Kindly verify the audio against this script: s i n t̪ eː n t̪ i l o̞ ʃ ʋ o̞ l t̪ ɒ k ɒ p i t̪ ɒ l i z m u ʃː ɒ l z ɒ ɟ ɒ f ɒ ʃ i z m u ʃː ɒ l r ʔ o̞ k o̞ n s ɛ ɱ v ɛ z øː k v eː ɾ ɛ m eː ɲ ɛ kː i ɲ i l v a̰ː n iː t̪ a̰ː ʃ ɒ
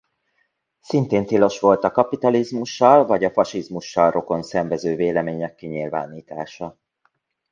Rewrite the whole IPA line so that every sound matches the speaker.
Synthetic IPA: s i n t̪ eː n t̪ i l o̞ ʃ ʋ o̞ l t̪ ɒ k ɒ p i t̪ ɒ l i z m u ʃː ɒ l v ɒ ɟ ɒ f ɒ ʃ i z m u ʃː ɒ l r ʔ o̞ k o̞ n s ɛ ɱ v ɛ z øː v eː l ɛ m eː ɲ ɛ kː i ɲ i l v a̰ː n iː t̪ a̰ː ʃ ɒ

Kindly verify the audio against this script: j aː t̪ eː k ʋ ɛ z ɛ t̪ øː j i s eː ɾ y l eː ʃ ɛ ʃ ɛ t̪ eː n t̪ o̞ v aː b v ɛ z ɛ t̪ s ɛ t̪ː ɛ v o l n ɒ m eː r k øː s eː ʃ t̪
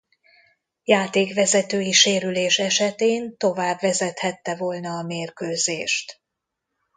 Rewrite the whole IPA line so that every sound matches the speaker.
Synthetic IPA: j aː t̪ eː k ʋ ɛ z ɛ t̪ øː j i ʃ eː ɾ y l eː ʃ ɛ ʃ ɛ t̪ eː n t̪ o̞ v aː b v ɛ z ɛ t̪ h ɛ t̪ː ɛ v o l n ɒː m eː r k øː z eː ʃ t̪

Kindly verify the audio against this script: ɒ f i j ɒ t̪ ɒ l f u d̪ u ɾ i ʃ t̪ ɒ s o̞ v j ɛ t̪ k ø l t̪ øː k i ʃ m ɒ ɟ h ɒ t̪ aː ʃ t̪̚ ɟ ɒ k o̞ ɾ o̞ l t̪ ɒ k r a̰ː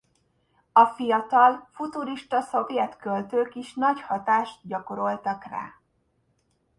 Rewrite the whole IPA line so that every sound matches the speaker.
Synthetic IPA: ɒ f i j ɒ t̪ ɒ l f u t̪ u ɾ i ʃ t̪ ɒ s o̞ v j ɛ t̪ k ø l t̪ øː k i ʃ n ɒ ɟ h ɒ t̪ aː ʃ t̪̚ ɟ ɒ k o̞ ɾ o̞ l t̪ ɒ k r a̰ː

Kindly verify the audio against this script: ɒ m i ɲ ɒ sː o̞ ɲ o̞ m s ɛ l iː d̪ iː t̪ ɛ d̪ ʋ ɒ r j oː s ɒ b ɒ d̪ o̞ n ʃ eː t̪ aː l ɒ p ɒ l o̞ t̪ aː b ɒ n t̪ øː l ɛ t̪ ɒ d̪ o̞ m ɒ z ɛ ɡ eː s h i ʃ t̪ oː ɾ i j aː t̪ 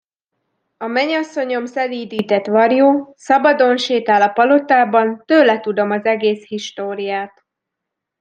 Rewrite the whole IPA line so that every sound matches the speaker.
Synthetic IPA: ɒ m ɛ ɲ ɒ sː o̞ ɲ o̞ m s ɛ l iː d̪ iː t̪ ɛ t̪ ʋ ɒ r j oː s ɒ b ɒ d̪ o̞ n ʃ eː t̪ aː l ɒ p ɒ l o̞ t̪ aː b ɒ n t̪ øː l ɛ t̪ u d̪ o̞ m ɒ z ɛ ɡ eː s h i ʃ t̪ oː ɾ i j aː t̪

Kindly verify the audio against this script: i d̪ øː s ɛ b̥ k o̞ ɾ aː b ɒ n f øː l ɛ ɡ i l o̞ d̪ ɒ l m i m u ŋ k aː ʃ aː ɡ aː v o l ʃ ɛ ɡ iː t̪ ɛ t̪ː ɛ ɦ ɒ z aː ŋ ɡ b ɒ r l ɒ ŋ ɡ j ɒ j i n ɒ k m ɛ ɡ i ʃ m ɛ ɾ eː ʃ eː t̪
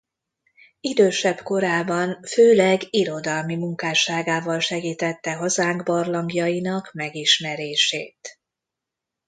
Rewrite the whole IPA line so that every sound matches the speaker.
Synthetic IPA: i d̪ øː ʃ ɛ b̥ k o̞ ɾ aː b ɒ n f øː l ɛ ɡ i ɾ o̞ d̪ ɒ l m i m u ŋ k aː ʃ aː ɡ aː v ɒ l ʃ ɛ ɡ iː t̪ ɛ t̪ː ɛ ɦ ɒ z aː ŋ ɡ b ɒ r l ɒ ŋ ɡ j ɒ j i n ɒ k m ɛ ɡ i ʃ m ɛ ɾ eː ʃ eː t̪

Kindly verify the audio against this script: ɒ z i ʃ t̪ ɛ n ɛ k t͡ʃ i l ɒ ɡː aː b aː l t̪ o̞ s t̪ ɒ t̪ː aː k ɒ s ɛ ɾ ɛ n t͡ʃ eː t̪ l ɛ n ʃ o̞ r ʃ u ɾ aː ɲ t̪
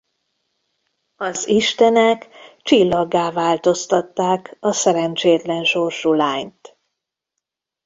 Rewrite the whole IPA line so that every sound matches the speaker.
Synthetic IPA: ɒ z i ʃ t̪ ɛ n ɛ k t͡ʃ i lː ɒ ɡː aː v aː l t̪ o̞ s t̪ ɒ t̪ː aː k ɒ s ɛ ɾ ɛ n t͡ʃ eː t̪ l ɛ n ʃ o̞ r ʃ u l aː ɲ t̪

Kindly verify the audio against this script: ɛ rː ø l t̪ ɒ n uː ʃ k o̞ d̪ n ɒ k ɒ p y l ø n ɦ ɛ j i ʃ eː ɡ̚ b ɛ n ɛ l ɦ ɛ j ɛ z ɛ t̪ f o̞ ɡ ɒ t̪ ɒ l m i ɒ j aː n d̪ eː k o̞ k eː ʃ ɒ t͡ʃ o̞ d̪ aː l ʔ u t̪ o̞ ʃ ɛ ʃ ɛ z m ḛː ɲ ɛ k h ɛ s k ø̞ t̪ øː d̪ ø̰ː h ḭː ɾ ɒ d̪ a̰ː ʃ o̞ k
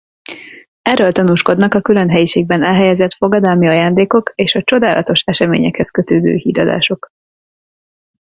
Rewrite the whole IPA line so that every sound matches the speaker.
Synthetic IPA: ɛ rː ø l t̪ ɒ n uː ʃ k o̞ d̪ n ɒ k ɒ k y l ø n ɦ ɛ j i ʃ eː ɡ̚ b ɛ n ɛ l ɦ ɛ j ɛ z ɛ t̪ f o̞ ɡ ɒ d̪ ɒ l m i ɒ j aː n d̪ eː k o̞ k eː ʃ ɒ t͡ʃ o̞ d̪ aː l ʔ ɒ t̪ o̞ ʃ ɛ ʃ ɛ m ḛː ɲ ɛ k h ɛ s k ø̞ t̪ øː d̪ ø̰ː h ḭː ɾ ɒ d̪ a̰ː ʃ o̞ k

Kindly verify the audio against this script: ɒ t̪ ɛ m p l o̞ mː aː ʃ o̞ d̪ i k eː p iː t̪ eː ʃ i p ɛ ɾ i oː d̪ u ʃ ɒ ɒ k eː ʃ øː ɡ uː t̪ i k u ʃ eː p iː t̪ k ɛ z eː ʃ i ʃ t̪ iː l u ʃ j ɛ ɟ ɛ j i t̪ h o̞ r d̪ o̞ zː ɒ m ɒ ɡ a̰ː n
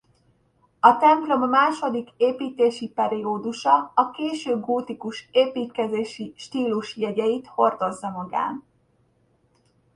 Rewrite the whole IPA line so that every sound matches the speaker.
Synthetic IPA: ɒ t̪ ɛ m p l o̞ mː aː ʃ o̞ d̪ i k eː p iː t̪ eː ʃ i p ɛ ɾ i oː d̪ u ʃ ɒ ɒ k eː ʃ øː ɡ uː t̪ i k u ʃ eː p iː t̪ k ɛ z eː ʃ i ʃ t̪ iː l u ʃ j ɛ ɟ ɛ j i t̪ h o̞ r d̪ o̞ zː ɒ m ɒ ɡ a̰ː n

